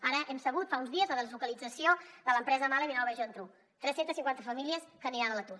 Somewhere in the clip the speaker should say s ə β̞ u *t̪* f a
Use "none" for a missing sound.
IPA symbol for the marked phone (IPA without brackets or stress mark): t̪